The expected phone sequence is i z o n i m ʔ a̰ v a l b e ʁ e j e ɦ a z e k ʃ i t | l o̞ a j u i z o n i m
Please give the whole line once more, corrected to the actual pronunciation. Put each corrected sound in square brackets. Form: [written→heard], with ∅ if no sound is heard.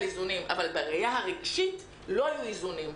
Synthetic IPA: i z [o→u] n i m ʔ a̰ v a l b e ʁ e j [e→a] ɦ a [z→ʁ] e [k→ɡ] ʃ i t | l o̞ a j u i z [o→u] n i m